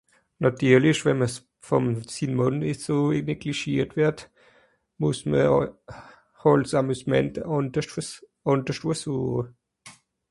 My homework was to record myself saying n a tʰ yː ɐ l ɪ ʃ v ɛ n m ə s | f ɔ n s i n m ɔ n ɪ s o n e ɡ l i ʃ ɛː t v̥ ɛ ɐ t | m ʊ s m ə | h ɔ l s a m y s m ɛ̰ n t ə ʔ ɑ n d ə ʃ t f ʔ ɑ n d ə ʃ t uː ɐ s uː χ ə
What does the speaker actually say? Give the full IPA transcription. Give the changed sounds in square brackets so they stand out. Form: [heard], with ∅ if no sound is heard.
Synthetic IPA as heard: n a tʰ yː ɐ l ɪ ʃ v ɛ n m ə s | f ɔ [m] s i n m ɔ n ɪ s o n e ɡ l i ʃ [iː] t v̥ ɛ ɐ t | m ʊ s m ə | h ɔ l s a m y s m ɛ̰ n t ə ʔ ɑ n d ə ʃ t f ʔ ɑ n d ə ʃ t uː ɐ s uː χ ə